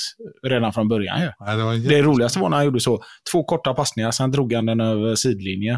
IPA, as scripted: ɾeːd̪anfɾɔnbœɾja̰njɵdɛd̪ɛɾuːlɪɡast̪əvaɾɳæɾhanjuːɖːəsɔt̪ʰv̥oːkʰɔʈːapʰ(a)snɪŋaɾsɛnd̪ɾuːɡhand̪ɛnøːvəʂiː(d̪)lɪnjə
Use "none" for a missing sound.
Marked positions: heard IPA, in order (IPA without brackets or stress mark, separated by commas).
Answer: a, d̪